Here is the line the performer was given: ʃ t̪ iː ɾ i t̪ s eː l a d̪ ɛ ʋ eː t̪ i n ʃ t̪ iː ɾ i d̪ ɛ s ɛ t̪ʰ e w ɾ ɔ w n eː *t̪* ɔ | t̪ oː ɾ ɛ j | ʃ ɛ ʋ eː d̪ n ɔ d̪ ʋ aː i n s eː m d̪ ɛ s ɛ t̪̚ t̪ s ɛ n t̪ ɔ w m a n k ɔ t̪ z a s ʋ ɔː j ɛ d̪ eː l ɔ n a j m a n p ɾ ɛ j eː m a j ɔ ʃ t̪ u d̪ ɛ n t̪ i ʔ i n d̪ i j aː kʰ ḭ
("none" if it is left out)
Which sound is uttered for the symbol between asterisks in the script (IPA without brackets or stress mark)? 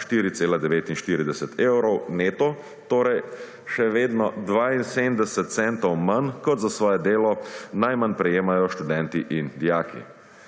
t̪